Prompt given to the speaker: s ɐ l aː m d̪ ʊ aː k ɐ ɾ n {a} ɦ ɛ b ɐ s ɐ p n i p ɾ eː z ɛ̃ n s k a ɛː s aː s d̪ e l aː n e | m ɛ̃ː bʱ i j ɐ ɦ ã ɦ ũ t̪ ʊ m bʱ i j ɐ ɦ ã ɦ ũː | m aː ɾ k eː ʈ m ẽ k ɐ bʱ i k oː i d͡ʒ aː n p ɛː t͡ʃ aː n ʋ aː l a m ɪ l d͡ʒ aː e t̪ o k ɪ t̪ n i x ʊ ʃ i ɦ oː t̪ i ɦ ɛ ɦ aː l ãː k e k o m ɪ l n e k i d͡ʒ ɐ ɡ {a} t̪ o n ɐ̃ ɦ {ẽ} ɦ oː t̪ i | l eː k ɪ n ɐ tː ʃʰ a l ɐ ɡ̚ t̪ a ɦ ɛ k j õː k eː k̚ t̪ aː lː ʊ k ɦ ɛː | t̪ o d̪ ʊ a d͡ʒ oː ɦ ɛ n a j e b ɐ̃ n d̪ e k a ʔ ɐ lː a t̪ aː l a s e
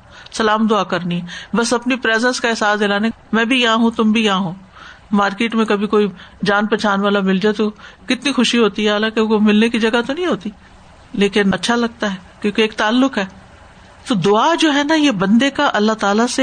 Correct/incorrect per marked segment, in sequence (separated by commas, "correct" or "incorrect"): incorrect, correct, incorrect